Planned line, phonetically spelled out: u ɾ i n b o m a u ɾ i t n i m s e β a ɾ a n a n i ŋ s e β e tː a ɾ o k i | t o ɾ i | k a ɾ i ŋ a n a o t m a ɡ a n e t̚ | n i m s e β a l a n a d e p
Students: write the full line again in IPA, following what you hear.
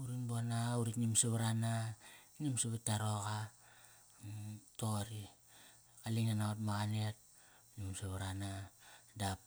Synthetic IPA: u ɾ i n b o n a u ɾ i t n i m s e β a ɾ a n a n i m s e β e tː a ɾ o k a | t o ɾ i | k a l i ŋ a n a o t m a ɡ a n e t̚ | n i m s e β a ɾ a n a d a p